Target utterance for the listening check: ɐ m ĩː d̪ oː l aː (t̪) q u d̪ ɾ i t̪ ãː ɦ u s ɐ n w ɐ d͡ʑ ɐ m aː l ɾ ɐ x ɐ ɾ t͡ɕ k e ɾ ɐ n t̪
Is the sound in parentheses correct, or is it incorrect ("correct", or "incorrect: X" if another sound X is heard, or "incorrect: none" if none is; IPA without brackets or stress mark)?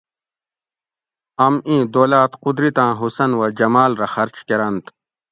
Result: correct